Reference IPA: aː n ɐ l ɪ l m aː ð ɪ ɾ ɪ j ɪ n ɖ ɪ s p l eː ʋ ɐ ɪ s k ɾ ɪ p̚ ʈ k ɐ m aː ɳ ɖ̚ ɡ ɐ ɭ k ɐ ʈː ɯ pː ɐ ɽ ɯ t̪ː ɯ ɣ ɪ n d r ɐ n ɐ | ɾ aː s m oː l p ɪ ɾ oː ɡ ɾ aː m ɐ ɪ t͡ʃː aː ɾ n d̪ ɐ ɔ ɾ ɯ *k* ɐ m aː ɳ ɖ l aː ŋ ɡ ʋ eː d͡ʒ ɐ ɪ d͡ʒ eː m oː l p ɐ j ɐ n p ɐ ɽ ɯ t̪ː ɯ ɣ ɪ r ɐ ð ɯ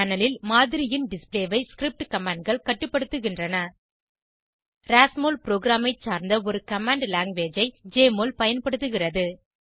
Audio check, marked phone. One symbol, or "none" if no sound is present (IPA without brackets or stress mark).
k